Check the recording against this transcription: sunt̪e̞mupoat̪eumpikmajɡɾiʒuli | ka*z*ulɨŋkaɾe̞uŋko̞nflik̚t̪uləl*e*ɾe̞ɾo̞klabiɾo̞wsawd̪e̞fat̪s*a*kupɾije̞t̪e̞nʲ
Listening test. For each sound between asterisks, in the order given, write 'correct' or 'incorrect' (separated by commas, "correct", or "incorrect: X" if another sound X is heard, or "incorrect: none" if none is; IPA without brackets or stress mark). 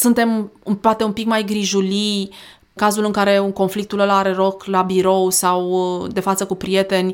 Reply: correct, incorrect: a, incorrect: ə